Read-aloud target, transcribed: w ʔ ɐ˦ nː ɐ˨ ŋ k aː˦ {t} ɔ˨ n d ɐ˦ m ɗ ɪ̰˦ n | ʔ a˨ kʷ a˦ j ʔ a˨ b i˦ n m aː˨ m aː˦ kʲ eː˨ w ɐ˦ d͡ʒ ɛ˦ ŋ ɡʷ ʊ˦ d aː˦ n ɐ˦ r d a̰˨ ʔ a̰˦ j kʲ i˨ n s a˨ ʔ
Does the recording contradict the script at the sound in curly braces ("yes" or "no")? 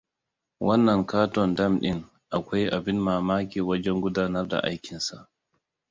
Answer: no